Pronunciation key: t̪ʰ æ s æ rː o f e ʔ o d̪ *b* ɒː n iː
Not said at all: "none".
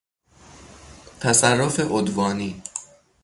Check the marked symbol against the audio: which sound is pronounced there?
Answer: v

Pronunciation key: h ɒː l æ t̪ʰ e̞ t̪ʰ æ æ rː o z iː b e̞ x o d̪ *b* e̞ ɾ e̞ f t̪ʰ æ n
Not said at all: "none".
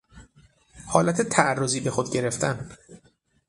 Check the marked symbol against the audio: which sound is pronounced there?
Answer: ɟ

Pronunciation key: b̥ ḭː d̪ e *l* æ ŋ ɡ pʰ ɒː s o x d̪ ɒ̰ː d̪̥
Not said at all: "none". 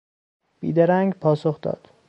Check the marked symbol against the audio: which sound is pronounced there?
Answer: ɾ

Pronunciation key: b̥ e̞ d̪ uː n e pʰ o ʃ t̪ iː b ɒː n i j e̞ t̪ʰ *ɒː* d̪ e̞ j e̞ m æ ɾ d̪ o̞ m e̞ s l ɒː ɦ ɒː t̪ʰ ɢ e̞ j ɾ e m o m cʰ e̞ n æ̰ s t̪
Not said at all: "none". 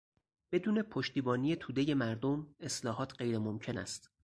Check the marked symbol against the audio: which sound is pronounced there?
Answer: uː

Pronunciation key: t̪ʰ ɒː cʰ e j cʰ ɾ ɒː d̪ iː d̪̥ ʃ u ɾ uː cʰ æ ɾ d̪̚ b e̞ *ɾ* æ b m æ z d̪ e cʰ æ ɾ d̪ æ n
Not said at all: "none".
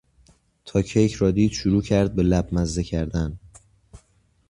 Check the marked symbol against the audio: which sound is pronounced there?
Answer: l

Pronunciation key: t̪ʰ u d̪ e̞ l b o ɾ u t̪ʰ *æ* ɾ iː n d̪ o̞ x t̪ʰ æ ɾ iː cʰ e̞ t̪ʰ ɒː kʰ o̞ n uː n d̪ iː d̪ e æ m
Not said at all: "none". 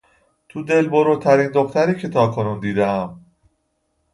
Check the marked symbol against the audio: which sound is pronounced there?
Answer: æ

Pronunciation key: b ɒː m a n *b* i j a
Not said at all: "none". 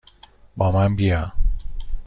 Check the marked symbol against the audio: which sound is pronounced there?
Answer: b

